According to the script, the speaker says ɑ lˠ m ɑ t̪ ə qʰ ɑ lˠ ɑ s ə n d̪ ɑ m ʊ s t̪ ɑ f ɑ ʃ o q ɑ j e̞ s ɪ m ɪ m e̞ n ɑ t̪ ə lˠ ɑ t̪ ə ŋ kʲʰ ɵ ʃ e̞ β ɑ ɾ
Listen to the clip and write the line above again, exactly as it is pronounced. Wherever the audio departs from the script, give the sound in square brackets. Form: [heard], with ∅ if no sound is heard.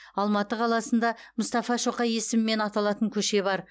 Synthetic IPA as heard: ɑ lˠ m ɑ t̪ ə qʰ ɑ lˠ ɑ s ə n d̪ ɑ m ʊ s t̪ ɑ f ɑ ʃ o q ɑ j e̞ s ɪ m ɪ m e̞ n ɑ t̪ [ɑ] lˠ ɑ t̪ ə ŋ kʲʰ ɵ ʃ e̞ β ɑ ɾ